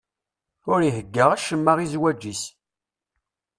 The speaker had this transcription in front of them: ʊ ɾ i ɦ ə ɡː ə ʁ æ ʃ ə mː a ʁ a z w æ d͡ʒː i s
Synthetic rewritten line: ʊ ɾ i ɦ ə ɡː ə ʁ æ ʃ ə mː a ʁ i z w æ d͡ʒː i s